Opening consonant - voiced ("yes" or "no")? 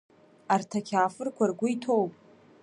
yes